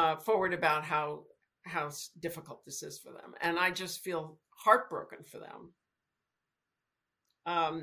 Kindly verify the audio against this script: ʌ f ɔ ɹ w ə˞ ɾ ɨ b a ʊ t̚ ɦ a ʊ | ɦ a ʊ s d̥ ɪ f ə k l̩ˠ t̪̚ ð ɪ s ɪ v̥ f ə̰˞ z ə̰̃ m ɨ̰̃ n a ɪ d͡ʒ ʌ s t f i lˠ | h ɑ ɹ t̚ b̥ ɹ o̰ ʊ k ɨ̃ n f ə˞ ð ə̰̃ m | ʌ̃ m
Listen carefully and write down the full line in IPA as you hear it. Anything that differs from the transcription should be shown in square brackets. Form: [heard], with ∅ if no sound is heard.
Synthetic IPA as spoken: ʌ f ɔ ɹ w ə˞ ɾ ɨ b a ʊ t̚ ɦ a ʊ | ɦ a ʊ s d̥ ɪ f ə k l̩ˠ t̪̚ ð ɪ s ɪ [z̥] f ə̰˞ [ð] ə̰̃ m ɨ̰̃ n a ɪ d͡ʒ ʌ s t f i lˠ | h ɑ ɹ t̚ b̥ ɹ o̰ ʊ k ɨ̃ n f ə˞ ð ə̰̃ m | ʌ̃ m